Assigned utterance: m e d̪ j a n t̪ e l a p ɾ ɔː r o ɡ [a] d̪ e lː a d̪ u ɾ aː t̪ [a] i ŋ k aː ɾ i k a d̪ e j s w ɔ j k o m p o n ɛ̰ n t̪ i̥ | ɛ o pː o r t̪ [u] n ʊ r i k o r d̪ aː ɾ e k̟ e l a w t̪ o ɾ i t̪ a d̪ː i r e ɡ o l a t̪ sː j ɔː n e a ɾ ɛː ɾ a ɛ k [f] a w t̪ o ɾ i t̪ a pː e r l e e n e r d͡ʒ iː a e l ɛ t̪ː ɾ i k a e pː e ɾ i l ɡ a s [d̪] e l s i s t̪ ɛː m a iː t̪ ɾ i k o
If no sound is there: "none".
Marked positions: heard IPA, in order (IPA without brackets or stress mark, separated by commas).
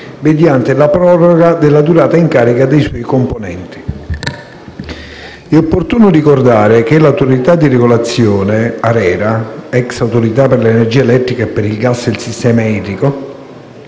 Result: a, a, uː, s, d̪